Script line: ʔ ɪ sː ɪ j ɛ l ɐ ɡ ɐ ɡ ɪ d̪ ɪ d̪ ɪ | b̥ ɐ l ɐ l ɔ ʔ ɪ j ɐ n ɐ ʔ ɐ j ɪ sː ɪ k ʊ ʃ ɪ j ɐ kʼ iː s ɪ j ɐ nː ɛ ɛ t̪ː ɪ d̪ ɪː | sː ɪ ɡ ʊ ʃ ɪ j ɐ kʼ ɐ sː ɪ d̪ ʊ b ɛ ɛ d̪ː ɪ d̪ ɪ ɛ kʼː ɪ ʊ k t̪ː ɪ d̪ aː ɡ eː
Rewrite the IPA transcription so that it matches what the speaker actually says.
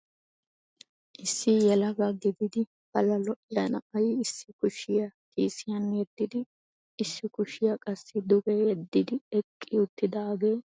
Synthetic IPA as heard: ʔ ɪ sː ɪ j ɛ l ɐ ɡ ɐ ɡ ɪ d̪ ɪ d̪ ɪ | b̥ ɐ l ɐ l ɔ ʔ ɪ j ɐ n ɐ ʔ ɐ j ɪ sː ɪ k ʊ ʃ ɪ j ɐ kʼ iː s ɪ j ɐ nː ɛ ɛ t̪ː ɪ d̪ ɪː | sː ɪ k ʊ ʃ ɪ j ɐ kʼ ɐ sː ɪ d̪ ʊ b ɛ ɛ d̪ː ɪ d̪ ɪ ɛ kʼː ɪ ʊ t̪ː ɪ d̪ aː ɡ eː